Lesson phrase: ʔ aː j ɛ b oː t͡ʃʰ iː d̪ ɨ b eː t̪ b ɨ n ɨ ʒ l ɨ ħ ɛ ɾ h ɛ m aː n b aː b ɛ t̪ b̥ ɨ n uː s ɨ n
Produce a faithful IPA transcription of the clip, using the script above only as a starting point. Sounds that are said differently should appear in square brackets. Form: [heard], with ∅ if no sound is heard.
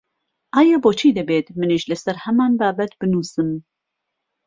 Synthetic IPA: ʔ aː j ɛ b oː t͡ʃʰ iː d̪ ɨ b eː t̪ [m] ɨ n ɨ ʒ l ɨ [s] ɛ ɾ h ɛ m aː n b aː b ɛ t̪ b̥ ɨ n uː s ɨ [m]